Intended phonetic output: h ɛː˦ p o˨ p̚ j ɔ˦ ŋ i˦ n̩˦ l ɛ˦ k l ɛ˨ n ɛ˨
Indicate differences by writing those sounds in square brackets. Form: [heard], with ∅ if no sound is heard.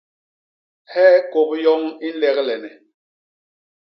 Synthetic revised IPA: h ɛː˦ [k] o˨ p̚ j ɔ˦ ŋ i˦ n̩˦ l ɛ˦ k l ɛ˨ n ɛ˨